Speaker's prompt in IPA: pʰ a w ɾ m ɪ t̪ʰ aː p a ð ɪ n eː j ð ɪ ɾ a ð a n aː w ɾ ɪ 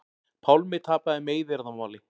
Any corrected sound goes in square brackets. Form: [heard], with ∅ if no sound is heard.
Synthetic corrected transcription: pʰ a w [l] m ɪ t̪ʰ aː p a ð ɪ [m] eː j ð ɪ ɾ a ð a [m] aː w [l] ɪ